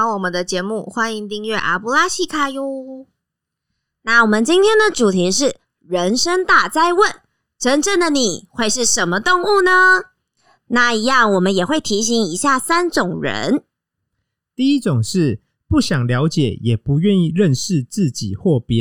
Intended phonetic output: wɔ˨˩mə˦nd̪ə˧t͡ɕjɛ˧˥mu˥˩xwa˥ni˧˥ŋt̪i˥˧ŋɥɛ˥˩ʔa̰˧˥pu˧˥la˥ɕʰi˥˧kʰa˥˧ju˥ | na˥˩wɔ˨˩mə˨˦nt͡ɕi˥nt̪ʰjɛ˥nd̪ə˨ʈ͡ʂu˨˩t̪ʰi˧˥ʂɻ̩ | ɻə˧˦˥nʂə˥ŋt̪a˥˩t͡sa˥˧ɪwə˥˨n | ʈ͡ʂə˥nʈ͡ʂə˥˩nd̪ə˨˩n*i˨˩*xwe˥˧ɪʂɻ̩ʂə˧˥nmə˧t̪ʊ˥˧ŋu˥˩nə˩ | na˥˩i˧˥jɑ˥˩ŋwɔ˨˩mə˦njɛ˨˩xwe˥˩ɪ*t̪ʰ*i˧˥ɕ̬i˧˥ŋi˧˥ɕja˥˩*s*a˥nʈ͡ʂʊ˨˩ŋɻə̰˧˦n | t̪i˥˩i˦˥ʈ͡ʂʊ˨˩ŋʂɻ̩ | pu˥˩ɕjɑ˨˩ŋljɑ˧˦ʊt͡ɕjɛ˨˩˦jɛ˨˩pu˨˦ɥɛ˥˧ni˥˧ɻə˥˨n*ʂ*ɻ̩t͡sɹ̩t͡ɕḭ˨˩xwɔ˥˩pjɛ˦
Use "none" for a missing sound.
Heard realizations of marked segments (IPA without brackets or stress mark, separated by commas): i˨˩, t̪ʰ, s, ʂ